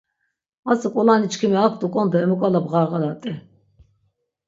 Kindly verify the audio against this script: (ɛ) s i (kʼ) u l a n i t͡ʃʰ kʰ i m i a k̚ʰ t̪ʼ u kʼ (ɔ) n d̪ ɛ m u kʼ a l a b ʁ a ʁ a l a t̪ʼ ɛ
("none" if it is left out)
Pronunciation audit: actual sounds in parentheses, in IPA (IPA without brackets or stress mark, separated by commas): a, kʼ, ɔ